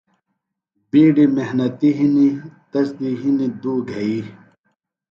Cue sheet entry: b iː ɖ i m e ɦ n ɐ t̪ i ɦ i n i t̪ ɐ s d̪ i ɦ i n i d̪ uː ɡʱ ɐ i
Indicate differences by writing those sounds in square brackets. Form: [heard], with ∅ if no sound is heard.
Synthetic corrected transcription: b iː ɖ i m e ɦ n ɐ t̪ i ɦ i n i t̪ ɐ s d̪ i ɦ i n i d̪ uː ɡʱ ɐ i

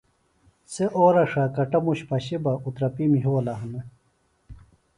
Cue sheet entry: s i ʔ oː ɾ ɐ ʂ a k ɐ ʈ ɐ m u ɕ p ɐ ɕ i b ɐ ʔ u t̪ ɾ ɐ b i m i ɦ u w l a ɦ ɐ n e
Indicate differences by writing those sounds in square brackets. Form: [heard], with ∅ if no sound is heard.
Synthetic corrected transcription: s [e] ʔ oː ɾ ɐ ʂ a k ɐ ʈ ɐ m u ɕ p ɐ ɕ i b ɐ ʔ u t̪ ɾ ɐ [p] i m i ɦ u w l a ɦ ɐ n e

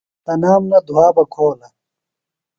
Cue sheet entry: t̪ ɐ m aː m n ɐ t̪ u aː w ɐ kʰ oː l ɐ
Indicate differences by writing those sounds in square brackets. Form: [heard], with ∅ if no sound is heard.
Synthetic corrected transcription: t̪ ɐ [n] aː m n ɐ [d̪] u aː [b] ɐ kʰ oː l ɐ

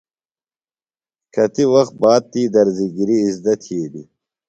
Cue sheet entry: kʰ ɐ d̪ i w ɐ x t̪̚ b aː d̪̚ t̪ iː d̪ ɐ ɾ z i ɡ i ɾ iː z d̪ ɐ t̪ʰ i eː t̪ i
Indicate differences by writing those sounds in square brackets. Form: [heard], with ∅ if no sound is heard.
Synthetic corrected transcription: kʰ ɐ [t̪] i w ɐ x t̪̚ b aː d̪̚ t̪ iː d̪ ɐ ɾ z i ɡ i ɾ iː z d̪ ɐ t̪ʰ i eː [d̪] i

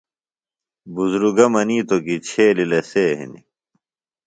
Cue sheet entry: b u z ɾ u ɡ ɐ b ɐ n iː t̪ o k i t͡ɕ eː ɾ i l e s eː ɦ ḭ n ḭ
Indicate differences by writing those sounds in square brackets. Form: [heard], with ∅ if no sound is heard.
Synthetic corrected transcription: b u z ɾ u ɡ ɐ [m] ɐ n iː t̪ o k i [t͡ɕʰ] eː [l] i l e s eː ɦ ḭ n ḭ

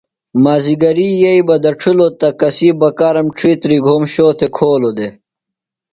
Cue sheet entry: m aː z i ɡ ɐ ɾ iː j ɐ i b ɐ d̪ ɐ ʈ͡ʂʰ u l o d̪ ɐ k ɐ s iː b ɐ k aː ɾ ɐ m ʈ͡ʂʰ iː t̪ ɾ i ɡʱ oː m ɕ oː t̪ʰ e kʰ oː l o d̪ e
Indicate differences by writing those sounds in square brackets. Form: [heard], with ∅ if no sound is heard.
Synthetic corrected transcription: m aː z i ɡ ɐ ɾ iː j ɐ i b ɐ d̪ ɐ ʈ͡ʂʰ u l o [t̪] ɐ k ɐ s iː b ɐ k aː ɾ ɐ m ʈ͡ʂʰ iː t̪ ɾ i ɡʱ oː m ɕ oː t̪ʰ e kʰ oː l o d̪ e

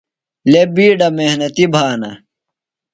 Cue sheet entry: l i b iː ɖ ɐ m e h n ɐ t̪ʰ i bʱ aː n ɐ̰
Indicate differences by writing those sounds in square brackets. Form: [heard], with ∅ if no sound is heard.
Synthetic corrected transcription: l [e] b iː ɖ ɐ m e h n ɐ [t̪] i bʱ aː n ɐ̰

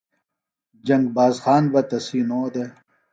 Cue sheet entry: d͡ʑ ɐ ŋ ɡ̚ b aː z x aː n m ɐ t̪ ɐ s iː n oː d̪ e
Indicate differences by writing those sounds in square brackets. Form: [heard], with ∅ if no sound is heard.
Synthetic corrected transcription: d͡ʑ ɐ ŋ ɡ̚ b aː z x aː n [b] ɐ t̪ ɐ s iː n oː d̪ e

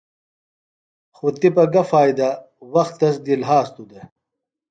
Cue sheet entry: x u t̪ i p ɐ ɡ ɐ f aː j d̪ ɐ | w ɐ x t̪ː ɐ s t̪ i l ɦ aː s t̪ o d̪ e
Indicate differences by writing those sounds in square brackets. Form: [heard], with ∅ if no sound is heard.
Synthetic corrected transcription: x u t̪ i p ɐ ɡ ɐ f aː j d̪ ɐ | w ɐ x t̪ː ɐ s [d̪] i l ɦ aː s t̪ [u] d̪ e

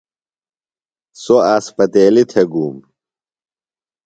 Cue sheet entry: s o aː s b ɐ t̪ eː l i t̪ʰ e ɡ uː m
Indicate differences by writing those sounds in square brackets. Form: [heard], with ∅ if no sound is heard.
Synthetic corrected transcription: s o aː s [p] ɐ t̪ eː l i t̪ʰ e ɡ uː m

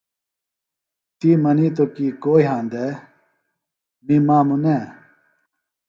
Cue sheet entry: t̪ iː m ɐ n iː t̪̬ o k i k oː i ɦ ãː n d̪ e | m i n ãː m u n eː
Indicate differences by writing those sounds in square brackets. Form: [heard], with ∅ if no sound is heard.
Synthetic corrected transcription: t̪ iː m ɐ n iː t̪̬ o k i k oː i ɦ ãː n d̪ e | m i [m] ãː m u n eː

